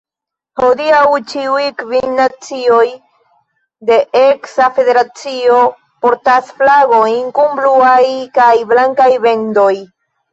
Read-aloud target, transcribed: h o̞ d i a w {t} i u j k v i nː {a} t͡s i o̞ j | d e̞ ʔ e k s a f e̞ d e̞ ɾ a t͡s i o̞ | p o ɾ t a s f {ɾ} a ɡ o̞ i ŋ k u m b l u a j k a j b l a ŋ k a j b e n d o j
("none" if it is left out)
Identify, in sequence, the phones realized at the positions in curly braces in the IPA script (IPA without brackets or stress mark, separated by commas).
t͡ʃ, a, l